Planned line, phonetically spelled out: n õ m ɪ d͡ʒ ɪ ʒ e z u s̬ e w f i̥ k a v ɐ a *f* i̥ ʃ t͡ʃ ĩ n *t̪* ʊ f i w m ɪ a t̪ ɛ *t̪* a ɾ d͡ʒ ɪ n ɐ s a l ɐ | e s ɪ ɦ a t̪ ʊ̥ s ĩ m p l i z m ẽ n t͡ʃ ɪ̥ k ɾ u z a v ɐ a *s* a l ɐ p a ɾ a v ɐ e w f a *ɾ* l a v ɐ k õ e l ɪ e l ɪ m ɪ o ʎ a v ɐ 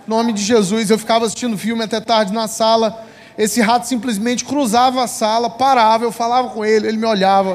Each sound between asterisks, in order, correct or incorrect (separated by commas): incorrect, incorrect, correct, correct, incorrect